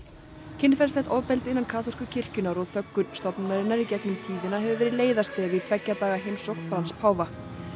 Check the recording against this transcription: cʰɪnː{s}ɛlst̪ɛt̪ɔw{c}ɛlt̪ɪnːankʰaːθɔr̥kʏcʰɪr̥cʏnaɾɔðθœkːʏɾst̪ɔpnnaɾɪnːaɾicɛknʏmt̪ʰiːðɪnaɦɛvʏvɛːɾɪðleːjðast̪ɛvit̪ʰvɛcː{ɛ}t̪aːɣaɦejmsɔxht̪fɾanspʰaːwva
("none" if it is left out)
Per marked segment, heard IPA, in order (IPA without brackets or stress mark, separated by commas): f, p, a